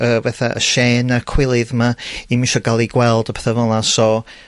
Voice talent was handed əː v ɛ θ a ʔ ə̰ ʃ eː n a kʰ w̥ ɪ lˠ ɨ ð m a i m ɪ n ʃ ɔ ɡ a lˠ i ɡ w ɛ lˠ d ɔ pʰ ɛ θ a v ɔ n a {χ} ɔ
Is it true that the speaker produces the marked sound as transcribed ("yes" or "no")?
no